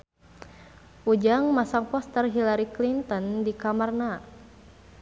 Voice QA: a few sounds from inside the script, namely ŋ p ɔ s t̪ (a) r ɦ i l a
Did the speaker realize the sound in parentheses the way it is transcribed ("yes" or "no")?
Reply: no